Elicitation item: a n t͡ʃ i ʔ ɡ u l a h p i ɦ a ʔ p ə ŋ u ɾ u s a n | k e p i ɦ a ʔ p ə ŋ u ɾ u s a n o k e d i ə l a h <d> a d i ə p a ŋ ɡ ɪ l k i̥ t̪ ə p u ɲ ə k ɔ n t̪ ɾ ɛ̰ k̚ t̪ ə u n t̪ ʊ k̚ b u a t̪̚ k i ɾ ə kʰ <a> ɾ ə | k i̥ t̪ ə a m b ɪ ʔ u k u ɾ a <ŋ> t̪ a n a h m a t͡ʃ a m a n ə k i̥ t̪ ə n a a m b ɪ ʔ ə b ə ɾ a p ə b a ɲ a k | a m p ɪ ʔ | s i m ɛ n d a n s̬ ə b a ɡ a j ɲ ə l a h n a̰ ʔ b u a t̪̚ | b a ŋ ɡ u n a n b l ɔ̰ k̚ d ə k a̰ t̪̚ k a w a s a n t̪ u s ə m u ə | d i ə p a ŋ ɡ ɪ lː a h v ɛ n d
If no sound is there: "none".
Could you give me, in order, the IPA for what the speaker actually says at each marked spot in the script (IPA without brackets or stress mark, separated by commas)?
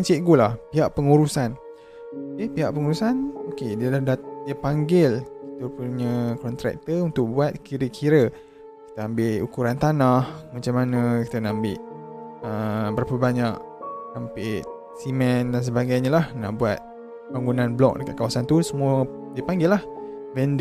d, i, n